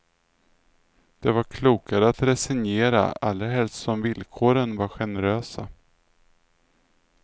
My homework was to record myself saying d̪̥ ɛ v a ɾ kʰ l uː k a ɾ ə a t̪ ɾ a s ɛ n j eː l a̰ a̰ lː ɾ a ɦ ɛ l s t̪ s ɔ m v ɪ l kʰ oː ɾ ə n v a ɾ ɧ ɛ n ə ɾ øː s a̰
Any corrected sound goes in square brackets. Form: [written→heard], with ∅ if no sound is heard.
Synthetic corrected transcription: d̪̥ ɛ v a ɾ kʰ l uː k a ɾ ə a t̪ ɾ [a→ɛ] s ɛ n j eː [l→ɾ] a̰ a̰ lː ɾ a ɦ ɛ l s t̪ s ɔ m v ɪ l kʰ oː ɾ ə n v a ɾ ɧ ɛ n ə ɾ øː s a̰